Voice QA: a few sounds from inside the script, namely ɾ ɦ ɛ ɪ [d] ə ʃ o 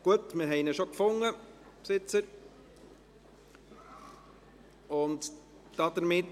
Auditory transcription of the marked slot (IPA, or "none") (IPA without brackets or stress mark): n